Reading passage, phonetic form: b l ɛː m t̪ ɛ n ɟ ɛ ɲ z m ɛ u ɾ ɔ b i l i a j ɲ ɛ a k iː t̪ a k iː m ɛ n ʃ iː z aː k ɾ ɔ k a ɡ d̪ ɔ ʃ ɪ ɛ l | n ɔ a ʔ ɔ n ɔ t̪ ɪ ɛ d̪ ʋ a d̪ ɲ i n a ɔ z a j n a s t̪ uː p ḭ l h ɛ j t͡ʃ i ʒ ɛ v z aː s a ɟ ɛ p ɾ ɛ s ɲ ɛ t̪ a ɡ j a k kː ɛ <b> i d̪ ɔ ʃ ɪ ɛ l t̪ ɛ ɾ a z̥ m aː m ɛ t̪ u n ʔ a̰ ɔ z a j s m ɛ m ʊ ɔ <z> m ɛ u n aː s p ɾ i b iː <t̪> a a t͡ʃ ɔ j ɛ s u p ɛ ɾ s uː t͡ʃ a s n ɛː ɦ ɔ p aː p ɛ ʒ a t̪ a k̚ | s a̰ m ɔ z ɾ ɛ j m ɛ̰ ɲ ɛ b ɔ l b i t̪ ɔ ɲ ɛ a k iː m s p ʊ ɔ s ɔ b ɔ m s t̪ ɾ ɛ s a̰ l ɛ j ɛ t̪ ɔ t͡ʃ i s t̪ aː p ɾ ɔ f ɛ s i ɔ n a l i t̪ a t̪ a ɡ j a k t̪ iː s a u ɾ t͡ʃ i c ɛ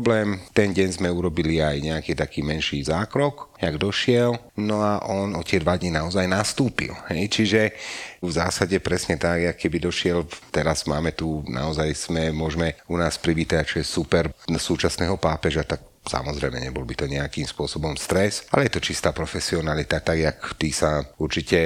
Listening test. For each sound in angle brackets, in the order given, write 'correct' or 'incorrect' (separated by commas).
correct, incorrect, correct